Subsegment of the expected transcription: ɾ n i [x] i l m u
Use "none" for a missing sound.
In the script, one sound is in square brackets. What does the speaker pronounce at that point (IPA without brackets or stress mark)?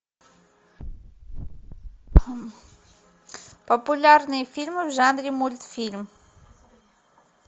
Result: f